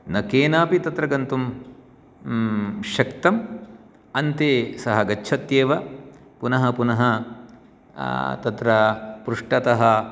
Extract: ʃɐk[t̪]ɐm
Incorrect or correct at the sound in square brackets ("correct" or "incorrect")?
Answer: correct